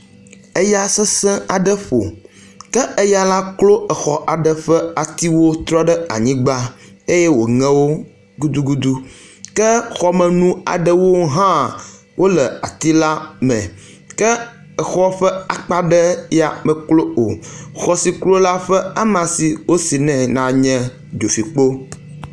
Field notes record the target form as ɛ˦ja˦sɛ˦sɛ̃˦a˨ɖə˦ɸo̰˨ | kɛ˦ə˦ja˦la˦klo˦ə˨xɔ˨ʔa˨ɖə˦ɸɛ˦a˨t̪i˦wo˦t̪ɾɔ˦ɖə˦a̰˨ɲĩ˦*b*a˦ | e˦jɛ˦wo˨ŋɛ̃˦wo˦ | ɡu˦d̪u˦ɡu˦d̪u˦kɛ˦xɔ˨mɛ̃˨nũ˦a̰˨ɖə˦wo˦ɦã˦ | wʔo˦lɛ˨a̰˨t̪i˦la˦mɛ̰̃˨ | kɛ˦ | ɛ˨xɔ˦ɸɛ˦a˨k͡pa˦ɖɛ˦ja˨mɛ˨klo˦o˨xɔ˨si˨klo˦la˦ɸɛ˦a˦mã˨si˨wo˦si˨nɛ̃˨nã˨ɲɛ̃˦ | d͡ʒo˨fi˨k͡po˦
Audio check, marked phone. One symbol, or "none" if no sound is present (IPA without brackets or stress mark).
ɡ͡b